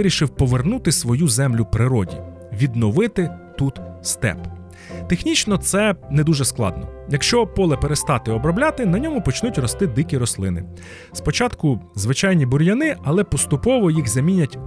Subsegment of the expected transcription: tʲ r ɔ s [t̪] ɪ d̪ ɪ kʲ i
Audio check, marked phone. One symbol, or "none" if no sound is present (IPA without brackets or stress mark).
t̪